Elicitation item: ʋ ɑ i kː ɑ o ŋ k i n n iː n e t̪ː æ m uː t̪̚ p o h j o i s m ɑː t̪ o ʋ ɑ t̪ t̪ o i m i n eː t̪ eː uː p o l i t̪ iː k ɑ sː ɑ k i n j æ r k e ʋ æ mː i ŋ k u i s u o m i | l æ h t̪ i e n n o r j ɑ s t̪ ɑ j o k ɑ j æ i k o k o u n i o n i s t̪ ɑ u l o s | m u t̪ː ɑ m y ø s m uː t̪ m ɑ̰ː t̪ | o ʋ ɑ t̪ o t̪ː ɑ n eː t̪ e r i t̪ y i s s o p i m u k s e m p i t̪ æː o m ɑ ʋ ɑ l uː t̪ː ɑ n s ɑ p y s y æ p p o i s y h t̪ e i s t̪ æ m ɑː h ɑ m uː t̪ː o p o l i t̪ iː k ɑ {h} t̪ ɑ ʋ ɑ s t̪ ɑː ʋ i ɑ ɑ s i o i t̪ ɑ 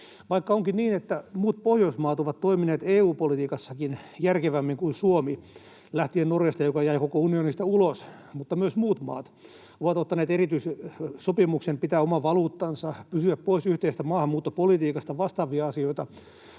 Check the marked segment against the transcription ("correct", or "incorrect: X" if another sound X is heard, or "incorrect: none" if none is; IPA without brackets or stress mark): incorrect: s